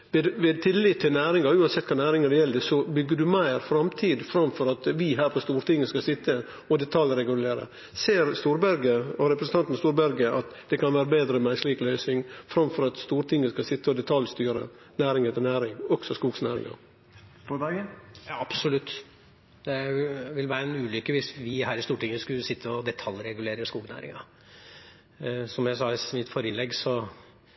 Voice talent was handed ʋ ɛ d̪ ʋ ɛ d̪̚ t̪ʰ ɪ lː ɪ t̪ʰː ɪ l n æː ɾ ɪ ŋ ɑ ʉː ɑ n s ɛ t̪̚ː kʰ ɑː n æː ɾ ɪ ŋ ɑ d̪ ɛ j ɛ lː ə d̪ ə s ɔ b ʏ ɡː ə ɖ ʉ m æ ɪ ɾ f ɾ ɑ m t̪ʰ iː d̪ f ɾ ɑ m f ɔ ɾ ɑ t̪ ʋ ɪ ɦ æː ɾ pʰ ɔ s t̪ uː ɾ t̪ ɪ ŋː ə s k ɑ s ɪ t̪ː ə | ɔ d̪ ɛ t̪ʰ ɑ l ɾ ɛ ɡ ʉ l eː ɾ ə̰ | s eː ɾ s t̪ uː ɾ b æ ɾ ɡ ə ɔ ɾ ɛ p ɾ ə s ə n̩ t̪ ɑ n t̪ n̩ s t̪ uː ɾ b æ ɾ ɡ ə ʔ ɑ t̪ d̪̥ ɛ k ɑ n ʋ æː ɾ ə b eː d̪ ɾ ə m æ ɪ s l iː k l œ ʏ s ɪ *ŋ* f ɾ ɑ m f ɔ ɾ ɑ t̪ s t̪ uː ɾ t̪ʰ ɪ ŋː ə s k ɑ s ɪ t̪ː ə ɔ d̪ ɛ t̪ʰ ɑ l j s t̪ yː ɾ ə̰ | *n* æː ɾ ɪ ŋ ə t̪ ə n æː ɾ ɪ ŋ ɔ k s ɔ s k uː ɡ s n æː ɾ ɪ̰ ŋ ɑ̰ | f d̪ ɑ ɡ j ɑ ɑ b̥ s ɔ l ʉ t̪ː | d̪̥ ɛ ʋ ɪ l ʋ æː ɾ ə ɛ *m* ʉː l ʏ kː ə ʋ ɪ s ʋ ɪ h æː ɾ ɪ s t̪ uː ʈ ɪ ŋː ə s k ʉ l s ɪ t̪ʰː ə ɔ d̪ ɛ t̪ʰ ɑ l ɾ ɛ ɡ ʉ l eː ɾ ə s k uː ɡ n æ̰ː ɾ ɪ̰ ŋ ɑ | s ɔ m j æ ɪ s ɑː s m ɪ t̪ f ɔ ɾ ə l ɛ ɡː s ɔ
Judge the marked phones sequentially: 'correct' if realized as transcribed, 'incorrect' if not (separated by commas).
correct, correct, incorrect